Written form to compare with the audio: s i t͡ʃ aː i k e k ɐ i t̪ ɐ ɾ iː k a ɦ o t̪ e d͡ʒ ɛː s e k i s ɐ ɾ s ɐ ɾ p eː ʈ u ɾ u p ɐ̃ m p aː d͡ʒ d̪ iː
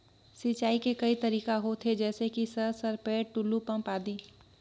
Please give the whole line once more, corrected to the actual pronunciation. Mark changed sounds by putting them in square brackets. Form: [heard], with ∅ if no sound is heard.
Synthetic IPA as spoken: s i t͡ʃ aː i k e k ɐ i t̪ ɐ ɾ iː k a ɦ o [t̪ʰ] e d͡ʒ ɛː s e k i s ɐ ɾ s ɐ ɾ p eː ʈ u [l] u p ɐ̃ m p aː [∅] d̪ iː